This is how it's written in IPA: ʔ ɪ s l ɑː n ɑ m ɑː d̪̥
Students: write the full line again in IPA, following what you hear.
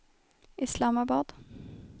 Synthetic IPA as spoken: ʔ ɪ s l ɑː m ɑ b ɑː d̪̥